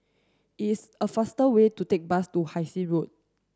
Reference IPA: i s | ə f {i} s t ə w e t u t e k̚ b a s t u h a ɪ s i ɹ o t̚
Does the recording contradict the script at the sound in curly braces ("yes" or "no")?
yes